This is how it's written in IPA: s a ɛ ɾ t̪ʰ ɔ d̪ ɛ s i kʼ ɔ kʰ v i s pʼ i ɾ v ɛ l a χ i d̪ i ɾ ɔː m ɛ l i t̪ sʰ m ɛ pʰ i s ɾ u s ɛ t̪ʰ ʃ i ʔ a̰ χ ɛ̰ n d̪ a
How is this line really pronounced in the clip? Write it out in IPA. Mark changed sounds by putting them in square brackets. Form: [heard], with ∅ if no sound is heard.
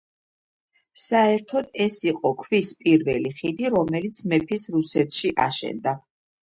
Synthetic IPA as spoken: s a ɛ ɾ t̪ʰ ɔ d̪ ɛ s i [qʼ] ɔ kʰ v i s pʼ i ɾ v ɛ l [i] χ i d̪ i ɾ [ɔ] m ɛ l i t̪ sʰ m ɛ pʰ i s ɾ u s ɛ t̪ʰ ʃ i ʔ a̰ [ʃ] ɛ̰ n d̪ a